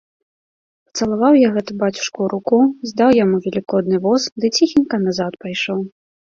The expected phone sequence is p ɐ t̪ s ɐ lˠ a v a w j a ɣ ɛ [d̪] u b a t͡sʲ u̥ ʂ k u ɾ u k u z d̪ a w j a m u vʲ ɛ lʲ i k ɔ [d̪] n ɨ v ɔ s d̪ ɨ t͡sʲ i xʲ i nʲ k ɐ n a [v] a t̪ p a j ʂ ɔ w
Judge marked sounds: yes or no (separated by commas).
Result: no, yes, no